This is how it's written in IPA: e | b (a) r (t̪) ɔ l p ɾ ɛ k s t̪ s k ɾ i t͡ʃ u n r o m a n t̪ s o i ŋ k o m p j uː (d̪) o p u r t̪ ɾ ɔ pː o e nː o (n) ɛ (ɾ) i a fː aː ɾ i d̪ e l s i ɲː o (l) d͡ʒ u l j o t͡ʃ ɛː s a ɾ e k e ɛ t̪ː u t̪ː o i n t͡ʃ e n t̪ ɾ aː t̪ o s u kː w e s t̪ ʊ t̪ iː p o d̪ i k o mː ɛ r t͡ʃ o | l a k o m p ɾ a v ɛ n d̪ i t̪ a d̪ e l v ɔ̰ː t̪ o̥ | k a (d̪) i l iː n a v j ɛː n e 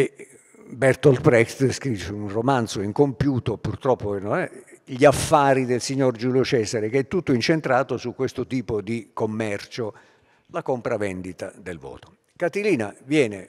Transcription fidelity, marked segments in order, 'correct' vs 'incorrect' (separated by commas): incorrect, correct, incorrect, correct, incorrect, incorrect, incorrect